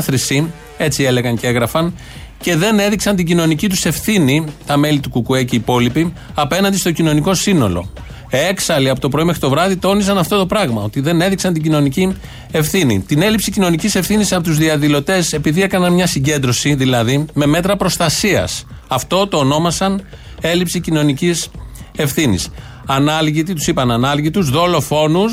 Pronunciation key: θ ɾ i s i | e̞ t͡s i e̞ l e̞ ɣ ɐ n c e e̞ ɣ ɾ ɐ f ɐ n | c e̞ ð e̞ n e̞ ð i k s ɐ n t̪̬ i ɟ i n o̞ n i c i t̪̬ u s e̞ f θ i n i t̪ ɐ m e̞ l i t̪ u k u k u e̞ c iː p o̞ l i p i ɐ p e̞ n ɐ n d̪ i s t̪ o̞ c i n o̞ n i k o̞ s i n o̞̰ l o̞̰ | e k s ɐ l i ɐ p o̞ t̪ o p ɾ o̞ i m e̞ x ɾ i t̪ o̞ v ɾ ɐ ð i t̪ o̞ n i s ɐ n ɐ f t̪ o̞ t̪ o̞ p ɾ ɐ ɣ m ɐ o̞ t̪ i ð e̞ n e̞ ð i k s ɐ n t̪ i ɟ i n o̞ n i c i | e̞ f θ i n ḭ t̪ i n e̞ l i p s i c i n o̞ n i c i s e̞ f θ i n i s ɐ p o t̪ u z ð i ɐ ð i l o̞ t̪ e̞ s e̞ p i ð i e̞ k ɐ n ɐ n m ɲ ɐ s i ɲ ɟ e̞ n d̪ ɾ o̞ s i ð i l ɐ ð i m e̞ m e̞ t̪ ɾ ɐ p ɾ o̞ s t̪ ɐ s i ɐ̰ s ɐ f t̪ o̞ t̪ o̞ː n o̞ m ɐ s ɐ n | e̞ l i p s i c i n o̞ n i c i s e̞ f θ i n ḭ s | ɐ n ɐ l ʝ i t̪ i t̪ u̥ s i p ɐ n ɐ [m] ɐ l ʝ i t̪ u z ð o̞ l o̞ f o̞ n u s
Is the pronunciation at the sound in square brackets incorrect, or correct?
incorrect